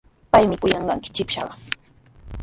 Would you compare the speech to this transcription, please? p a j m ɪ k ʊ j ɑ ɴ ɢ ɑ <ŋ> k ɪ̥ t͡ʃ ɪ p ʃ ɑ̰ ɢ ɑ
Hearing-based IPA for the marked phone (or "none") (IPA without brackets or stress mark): ŋ